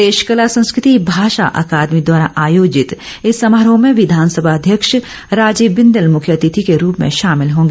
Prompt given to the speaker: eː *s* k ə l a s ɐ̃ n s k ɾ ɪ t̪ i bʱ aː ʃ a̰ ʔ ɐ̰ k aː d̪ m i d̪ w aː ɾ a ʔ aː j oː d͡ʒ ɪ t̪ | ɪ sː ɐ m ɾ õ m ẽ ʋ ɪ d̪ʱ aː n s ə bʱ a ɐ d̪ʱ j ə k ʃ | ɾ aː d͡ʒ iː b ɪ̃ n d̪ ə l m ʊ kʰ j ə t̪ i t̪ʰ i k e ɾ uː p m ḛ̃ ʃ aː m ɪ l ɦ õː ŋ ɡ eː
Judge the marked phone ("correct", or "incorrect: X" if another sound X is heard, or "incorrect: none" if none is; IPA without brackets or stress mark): incorrect: ʃ